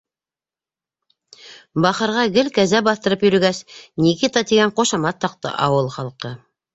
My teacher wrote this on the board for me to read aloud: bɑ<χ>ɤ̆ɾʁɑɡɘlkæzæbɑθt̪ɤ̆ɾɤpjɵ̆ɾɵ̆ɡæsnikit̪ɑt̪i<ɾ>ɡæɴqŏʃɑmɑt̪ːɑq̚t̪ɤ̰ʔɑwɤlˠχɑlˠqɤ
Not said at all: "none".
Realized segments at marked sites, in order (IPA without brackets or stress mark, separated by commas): χ, none